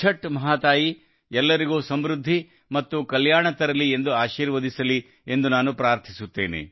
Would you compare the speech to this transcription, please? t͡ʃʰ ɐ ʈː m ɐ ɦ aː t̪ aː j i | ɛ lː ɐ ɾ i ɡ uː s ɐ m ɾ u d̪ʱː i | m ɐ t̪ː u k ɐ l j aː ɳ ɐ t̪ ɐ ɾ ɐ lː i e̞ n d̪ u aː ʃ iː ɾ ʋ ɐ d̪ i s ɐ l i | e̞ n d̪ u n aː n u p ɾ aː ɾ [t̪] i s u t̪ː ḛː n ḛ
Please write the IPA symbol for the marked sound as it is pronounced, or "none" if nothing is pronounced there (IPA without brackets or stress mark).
t̪ʰ